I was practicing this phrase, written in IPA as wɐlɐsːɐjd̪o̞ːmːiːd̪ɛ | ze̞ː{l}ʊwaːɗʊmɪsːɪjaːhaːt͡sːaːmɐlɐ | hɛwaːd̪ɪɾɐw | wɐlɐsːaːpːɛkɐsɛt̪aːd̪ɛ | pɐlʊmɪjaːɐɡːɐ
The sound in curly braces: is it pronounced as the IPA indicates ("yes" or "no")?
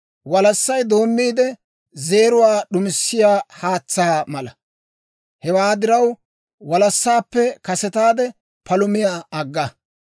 no